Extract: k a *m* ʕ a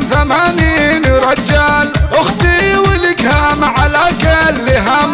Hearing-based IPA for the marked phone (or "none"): m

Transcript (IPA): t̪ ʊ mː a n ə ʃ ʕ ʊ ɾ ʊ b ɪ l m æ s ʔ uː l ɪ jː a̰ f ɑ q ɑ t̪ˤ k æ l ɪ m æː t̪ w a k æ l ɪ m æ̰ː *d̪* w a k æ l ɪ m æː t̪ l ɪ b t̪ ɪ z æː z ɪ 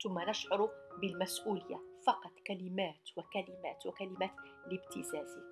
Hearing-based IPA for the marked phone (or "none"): t̪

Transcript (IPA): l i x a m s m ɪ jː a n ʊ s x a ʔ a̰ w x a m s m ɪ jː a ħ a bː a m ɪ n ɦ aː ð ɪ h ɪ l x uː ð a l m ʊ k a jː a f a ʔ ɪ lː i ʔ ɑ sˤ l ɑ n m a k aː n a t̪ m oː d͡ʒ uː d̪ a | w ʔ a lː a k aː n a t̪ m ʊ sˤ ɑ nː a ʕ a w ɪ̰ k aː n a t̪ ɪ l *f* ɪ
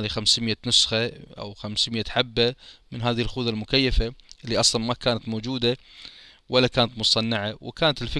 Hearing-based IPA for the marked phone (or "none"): f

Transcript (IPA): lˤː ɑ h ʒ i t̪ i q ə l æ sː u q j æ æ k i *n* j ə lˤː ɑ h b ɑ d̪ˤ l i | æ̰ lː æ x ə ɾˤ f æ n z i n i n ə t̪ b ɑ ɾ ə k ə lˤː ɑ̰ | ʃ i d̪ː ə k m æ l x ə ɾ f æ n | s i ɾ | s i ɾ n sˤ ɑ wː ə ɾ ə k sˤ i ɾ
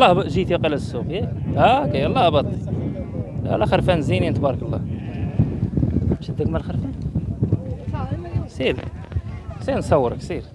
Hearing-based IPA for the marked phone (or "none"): none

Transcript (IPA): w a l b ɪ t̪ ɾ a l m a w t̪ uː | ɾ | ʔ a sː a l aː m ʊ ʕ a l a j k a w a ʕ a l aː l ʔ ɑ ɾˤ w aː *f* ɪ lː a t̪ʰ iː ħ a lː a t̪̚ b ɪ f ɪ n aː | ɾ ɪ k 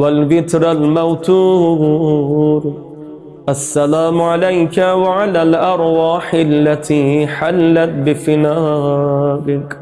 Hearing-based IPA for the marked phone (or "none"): ħ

